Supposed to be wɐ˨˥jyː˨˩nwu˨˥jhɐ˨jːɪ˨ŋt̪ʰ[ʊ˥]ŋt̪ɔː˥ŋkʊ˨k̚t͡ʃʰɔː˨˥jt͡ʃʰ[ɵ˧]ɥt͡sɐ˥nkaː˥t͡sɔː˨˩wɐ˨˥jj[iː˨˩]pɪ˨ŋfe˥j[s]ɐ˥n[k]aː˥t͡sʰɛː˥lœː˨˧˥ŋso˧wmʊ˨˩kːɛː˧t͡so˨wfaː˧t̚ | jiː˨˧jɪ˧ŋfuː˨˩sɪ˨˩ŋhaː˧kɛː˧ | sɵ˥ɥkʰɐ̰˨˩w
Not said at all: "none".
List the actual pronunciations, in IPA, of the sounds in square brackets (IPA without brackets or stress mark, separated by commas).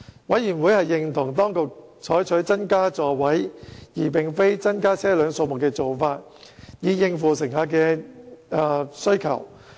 ʊ˨˩, ɵ˨˥, iː˨˩, t͡s, k